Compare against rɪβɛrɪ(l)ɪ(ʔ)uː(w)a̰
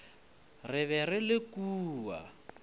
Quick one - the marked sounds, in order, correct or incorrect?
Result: correct, incorrect: k, correct

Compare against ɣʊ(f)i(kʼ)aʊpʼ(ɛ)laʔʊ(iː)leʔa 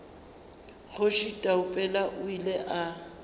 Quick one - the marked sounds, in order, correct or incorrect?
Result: incorrect: ʃ, incorrect: tʼ, correct, incorrect: i

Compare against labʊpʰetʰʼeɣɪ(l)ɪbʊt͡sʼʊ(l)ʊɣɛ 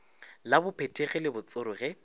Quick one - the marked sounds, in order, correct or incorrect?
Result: correct, incorrect: ɾ

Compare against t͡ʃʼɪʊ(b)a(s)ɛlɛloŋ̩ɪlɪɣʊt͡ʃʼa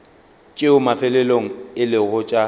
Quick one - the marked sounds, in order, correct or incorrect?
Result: incorrect: m, incorrect: f

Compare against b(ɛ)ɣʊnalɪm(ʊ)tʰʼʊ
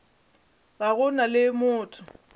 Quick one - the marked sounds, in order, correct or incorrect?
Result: incorrect: a, incorrect: ʊː

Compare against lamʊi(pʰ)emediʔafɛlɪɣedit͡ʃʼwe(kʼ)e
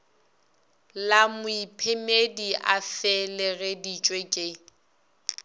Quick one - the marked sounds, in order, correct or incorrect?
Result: correct, correct

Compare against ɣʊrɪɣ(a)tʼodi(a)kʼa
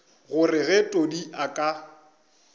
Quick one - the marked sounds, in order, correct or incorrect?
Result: incorrect: ɛ, correct

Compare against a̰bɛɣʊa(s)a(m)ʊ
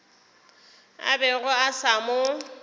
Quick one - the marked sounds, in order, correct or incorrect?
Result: correct, correct

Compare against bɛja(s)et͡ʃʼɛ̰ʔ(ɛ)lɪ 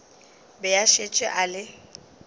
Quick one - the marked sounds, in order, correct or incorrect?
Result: incorrect: ʃ, incorrect: a

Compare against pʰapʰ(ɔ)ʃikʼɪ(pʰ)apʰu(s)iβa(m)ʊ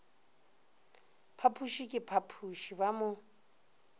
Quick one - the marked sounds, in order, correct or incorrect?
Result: incorrect: u, correct, incorrect: ʃ, correct

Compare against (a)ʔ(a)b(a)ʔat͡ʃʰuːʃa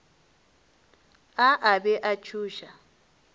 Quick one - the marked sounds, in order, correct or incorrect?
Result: correct, correct, incorrect: ɛ

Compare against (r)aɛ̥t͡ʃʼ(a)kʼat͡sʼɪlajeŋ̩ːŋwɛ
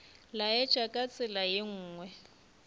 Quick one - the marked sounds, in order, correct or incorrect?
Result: incorrect: l, correct

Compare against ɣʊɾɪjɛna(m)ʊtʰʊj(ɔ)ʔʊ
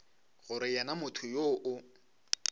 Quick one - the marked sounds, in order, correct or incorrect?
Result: correct, incorrect: o

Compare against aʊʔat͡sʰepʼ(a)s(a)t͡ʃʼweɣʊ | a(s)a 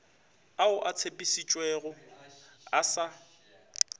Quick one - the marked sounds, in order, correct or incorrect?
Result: incorrect: i, incorrect: i, correct

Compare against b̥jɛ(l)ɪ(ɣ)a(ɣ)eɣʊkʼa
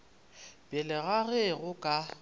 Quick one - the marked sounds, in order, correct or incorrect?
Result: correct, correct, correct

